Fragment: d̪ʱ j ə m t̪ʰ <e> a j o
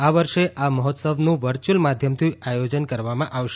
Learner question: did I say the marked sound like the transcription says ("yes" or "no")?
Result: no